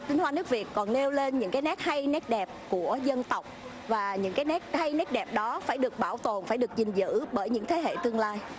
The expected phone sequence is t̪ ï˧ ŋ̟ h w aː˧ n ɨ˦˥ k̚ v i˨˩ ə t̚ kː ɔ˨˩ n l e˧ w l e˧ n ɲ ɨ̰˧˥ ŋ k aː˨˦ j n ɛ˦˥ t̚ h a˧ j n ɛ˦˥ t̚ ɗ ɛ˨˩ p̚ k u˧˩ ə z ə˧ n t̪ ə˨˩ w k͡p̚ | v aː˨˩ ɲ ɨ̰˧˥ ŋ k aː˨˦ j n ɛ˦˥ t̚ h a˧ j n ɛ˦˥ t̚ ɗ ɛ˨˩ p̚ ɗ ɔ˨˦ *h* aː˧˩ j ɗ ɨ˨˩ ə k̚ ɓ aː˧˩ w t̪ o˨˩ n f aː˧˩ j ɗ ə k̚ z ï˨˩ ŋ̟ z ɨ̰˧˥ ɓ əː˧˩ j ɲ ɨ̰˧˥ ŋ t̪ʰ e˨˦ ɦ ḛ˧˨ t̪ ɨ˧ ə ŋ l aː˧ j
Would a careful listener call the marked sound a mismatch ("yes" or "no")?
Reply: yes